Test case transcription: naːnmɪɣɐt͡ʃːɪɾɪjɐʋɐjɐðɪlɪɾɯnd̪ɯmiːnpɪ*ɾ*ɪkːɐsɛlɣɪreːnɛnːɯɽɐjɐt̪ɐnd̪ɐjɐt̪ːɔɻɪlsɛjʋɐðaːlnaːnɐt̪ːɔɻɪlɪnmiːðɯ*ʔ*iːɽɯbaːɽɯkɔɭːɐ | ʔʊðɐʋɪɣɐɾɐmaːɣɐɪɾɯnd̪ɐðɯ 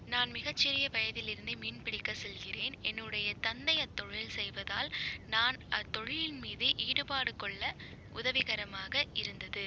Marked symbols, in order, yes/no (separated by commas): no, yes